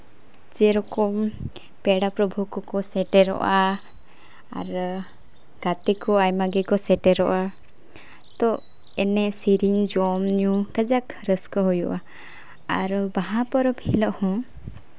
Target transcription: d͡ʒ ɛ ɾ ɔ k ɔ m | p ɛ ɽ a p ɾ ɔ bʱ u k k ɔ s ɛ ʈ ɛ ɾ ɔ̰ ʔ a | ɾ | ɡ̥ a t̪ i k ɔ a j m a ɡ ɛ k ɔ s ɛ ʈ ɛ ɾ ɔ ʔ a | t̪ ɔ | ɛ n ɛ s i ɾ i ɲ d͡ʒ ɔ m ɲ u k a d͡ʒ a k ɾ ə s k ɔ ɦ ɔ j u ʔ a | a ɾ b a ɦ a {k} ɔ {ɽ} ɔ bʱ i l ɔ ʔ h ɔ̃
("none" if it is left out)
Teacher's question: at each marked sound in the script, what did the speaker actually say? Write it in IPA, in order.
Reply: p, ɾ

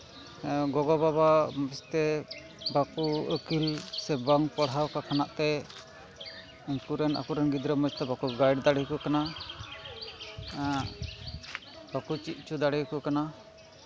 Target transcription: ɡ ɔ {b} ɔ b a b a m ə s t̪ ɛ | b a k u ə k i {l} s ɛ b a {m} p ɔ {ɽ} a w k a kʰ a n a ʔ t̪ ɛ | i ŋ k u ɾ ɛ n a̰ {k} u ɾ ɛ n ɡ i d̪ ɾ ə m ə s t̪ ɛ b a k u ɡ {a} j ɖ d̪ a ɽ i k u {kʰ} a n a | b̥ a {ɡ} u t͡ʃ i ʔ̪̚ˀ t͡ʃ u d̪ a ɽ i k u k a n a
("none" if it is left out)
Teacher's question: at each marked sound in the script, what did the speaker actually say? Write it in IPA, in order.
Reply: ɡ, l, ŋ, ɽ, k, a, k, k

